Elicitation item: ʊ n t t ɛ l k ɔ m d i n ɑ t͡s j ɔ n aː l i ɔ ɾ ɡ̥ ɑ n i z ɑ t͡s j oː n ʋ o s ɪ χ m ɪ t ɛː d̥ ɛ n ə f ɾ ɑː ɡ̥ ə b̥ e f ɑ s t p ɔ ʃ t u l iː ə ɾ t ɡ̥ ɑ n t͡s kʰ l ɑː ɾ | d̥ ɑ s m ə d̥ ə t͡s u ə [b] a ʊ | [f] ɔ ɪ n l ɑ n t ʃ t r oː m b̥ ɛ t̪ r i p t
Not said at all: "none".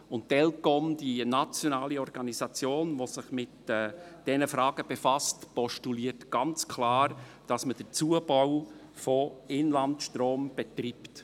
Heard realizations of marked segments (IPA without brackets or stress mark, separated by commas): b, f